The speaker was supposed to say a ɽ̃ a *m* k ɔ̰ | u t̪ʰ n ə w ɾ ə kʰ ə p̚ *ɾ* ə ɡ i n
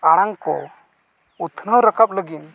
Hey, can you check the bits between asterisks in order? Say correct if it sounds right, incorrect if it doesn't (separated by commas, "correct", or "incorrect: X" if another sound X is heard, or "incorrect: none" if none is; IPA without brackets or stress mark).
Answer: incorrect: ŋ, incorrect: l